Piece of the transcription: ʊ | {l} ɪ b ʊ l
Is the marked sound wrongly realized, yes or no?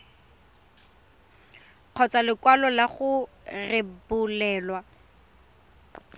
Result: yes